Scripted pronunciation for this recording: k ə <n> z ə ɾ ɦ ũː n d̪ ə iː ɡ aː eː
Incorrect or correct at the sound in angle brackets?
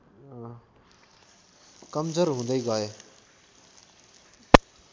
incorrect: m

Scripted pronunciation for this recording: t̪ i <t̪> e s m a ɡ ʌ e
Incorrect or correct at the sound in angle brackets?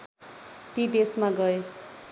incorrect: d̪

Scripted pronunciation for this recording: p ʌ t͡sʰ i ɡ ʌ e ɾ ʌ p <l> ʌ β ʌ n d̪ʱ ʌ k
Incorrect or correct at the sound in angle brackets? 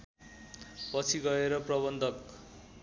incorrect: r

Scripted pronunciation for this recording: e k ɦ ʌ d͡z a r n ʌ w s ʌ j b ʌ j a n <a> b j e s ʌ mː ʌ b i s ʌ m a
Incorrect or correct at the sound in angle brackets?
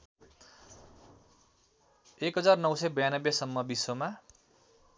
incorrect: ʌ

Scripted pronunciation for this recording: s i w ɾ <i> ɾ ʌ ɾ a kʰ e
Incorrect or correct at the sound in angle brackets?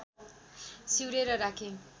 incorrect: e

